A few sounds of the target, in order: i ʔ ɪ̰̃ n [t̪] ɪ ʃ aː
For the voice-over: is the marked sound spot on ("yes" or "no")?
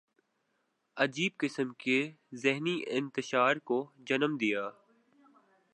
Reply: yes